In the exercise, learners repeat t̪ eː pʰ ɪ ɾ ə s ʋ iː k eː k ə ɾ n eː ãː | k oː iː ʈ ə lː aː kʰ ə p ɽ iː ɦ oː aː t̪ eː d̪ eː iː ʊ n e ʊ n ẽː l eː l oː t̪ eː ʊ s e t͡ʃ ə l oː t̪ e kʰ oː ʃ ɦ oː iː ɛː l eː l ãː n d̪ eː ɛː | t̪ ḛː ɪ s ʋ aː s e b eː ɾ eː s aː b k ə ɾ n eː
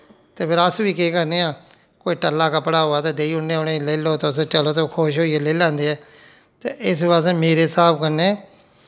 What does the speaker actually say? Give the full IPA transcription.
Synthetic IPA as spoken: t̪ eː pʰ ɪ ɾ ə s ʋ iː k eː k ə ɾ n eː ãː | k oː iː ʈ ə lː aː k ə p ɽ aː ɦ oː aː t̪ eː d̪ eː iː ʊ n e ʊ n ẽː l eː l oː t̪ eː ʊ s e t͡ʃ ə l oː t̪ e kʰ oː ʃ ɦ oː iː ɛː l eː l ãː n d̪ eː ɛː | t̪ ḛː ɪ s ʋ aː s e m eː ɾ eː s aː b k ə ɾ n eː